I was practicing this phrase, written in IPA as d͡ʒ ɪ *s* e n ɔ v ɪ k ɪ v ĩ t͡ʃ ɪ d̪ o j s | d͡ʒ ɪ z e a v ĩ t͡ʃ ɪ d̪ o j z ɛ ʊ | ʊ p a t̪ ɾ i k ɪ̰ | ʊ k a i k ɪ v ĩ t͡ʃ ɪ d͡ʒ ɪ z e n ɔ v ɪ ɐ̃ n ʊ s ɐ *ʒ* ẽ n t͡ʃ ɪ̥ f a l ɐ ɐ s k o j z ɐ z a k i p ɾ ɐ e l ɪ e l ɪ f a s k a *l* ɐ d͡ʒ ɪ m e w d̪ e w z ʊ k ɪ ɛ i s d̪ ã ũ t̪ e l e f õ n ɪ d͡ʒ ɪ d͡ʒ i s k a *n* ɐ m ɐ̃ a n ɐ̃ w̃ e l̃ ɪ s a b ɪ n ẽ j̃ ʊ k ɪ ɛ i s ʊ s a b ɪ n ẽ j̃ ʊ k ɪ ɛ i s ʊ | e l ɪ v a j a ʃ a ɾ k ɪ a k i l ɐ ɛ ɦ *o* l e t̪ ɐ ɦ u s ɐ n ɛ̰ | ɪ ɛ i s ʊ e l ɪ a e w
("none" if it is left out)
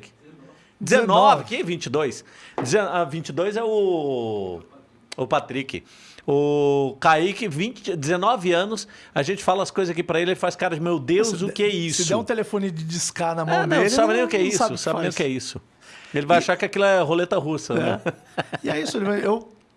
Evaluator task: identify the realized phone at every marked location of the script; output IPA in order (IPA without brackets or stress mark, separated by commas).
z, ʒ, ɾ, n, o